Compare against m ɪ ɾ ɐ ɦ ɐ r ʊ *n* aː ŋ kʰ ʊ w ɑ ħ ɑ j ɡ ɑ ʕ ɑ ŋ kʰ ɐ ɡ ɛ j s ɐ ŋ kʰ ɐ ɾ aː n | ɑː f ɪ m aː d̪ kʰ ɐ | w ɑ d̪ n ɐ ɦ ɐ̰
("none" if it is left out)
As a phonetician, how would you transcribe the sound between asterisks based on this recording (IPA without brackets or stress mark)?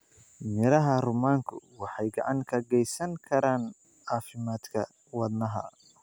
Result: m